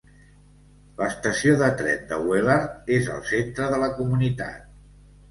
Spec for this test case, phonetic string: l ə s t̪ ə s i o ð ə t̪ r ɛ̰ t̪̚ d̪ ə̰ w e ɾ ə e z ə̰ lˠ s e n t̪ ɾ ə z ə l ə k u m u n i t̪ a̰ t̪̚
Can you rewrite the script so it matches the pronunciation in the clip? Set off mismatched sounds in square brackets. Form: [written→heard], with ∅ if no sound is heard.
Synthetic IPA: l ə s t̪ ə s i o ð ə t̪ [r→ɾ] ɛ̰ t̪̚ d̪ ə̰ w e [ɾ→l] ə e z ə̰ lˠ s e n t̪ ɾ ə [z→ð] ə l ə k u m u n i t̪ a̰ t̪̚